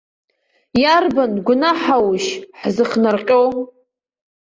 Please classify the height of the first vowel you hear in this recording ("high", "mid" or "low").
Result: low